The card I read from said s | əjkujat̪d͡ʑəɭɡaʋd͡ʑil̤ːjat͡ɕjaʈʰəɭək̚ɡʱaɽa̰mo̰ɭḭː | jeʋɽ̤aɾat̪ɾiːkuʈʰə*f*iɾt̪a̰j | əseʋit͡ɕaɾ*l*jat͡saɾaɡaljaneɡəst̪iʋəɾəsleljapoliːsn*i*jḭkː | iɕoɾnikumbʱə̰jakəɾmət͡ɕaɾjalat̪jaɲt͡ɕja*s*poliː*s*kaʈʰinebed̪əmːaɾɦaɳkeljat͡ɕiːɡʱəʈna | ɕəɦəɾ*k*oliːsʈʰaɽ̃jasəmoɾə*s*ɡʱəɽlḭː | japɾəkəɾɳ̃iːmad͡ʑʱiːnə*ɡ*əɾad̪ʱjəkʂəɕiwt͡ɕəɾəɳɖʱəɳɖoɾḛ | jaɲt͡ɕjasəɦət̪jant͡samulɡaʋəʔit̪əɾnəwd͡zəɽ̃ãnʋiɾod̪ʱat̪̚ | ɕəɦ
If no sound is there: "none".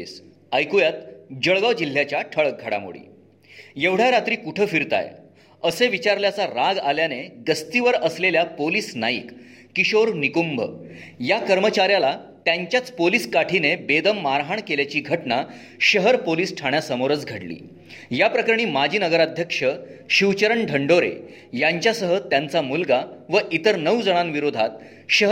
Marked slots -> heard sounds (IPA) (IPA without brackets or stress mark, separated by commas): f, l, a, t͡s, s, p, t͡s, ɡ